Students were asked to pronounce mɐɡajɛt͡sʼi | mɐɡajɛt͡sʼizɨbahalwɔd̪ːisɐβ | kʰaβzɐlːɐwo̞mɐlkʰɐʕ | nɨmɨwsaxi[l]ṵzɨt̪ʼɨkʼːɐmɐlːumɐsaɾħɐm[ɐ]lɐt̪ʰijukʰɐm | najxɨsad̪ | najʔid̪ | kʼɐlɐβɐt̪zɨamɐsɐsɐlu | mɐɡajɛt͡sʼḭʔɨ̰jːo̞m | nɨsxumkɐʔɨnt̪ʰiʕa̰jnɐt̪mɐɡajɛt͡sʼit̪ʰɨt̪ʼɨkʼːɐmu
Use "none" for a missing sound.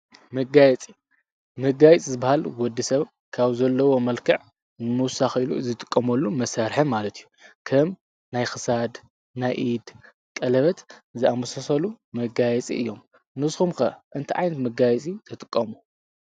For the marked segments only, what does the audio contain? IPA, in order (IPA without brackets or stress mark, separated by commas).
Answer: l, a